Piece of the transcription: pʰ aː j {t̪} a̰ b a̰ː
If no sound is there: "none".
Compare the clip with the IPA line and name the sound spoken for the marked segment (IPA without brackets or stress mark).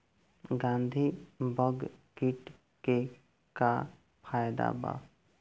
d̪